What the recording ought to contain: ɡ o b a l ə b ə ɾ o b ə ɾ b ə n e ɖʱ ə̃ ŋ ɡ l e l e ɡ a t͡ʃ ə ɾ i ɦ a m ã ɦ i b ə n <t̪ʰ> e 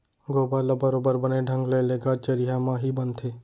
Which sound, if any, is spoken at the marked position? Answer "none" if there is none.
t̪ʰ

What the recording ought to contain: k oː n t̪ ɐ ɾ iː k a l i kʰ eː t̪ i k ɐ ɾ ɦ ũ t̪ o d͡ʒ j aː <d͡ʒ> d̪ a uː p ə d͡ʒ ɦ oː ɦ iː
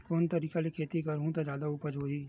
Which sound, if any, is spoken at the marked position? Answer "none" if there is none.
none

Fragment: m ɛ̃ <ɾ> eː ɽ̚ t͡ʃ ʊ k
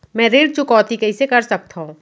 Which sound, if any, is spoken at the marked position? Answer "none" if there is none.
ɾ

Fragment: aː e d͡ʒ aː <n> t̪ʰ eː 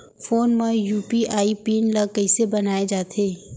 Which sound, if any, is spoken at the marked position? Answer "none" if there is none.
none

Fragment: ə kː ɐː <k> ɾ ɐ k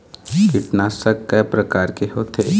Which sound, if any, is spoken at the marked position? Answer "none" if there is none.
p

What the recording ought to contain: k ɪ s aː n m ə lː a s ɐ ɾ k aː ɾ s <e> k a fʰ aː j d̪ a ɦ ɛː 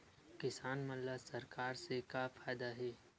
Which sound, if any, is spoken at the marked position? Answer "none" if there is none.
e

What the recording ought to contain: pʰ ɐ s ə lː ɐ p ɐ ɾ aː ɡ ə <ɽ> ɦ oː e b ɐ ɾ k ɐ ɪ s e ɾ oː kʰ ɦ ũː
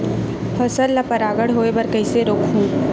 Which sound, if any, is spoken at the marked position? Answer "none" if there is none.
ɽ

